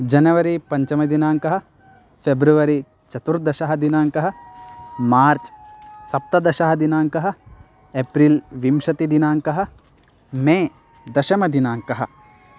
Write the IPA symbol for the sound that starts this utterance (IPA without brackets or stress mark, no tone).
d͡ʒ